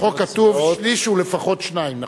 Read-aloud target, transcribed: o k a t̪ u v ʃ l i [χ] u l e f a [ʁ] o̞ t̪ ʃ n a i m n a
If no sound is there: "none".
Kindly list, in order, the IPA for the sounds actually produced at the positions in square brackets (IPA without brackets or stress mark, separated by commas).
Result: ʃ, χ